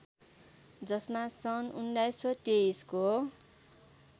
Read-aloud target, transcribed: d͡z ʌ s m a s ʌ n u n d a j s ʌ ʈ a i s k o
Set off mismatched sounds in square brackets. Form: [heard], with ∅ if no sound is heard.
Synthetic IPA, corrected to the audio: d͡z ʌ s m a s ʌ n u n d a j s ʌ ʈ [e] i s k o